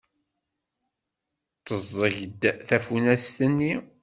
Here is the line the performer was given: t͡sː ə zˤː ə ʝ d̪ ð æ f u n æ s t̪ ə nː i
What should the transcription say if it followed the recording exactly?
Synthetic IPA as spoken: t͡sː ə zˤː ə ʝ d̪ θ æ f u n æ s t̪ ə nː i